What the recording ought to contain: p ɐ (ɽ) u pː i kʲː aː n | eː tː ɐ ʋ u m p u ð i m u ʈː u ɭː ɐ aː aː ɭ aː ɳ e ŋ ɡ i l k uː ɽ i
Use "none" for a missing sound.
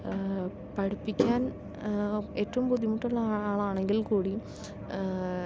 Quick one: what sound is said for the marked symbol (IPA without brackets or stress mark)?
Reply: ɽ